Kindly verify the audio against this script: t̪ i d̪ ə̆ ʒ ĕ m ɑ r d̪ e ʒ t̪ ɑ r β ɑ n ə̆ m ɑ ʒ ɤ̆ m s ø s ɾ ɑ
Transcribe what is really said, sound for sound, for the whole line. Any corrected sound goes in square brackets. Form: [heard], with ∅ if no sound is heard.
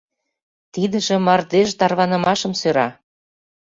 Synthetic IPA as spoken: t̪ i d̪ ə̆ ʒ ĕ m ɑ r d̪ e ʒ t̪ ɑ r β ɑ n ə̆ m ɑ [ʃ] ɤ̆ m s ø [∅] ɾ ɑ